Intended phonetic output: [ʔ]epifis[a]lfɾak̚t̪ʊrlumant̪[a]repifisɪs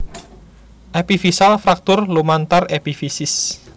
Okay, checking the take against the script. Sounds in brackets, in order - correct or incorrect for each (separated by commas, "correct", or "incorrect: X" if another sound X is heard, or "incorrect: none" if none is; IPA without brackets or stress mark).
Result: correct, correct, correct